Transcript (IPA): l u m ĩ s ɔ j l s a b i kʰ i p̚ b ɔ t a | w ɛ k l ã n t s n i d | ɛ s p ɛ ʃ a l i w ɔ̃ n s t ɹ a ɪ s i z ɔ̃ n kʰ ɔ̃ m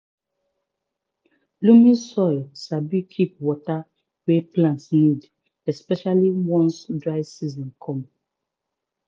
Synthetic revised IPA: l u m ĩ s ɔ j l s a b i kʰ i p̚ w ɔ t a | w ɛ p l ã n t s n i d | ɛ s p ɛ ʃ a l i w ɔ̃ n s d ɹ a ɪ s i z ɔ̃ n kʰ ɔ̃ m

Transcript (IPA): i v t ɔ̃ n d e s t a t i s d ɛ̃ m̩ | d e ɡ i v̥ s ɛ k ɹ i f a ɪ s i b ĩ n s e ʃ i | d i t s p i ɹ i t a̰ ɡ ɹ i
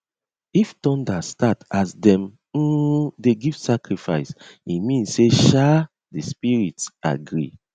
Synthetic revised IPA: i f t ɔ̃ n d a s t a t a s d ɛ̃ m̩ | d e ɡ i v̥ s a k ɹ i f a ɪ s i m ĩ n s e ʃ a | d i s p i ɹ i t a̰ ɡ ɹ i

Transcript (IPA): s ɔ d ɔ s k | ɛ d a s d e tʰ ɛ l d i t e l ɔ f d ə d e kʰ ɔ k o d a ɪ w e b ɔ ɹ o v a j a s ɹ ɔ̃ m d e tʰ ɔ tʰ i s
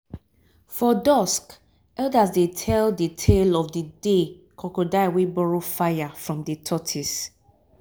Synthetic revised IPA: f ɔ d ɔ s k | ɛ d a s d e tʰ ɛ l d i tʰ e l ɔ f d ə d e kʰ ɔ k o d a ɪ w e b ɔ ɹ o f a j a f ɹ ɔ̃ m d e tʰ ɔ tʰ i s

